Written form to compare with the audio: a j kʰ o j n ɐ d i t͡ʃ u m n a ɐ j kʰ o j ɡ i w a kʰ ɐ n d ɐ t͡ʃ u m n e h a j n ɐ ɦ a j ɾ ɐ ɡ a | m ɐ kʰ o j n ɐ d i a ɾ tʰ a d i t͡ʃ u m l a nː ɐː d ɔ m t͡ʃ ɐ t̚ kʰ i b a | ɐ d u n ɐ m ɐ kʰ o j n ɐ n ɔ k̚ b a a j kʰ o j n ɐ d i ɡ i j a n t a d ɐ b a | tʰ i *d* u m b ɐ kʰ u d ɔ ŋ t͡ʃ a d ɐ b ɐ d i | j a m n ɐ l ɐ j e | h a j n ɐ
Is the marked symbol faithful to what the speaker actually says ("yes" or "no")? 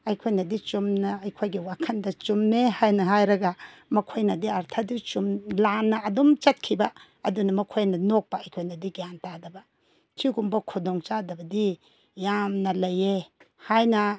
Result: no